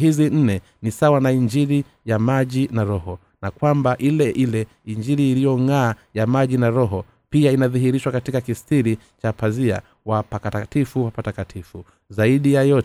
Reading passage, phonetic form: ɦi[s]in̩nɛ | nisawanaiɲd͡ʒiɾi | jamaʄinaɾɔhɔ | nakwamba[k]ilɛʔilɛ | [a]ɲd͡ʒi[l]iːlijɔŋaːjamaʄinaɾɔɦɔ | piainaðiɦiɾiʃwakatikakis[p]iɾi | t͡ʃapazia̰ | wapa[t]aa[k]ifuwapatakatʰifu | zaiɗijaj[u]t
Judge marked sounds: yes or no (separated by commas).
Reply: no, no, no, no, no, no, no, no